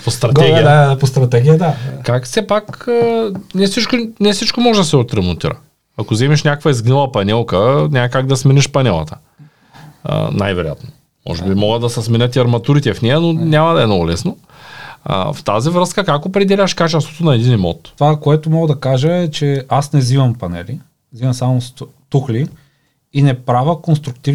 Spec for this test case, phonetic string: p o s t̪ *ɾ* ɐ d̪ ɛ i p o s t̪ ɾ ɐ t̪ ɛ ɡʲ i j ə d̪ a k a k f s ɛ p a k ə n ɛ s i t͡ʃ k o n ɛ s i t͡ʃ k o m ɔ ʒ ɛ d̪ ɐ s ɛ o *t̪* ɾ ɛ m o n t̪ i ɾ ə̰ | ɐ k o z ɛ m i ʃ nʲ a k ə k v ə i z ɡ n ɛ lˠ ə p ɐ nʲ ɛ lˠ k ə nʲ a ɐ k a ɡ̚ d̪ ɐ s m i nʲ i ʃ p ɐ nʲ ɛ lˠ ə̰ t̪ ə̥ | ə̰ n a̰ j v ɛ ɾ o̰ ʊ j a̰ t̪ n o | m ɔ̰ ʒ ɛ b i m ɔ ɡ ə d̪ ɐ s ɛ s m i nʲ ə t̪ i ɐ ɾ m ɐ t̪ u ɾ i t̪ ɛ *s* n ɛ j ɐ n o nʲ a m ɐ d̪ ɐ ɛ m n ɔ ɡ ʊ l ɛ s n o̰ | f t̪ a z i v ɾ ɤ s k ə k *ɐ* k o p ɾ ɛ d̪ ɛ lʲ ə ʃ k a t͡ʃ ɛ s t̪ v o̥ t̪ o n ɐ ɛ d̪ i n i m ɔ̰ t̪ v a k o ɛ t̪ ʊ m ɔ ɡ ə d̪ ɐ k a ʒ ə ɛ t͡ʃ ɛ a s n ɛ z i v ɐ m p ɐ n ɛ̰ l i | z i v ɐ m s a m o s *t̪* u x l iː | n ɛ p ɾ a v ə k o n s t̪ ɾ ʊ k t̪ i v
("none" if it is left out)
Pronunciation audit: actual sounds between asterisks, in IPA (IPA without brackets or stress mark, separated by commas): ɾ, t̪, f, a, t̪